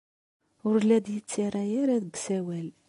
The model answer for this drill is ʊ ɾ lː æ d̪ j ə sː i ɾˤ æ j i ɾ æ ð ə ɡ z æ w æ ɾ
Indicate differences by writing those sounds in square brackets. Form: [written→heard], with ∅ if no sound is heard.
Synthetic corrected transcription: ʊ ɾ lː æ d̪ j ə [sː→t͡sː] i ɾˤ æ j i ɾ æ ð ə ɡ [z→s] æ w æ [ɾ→l]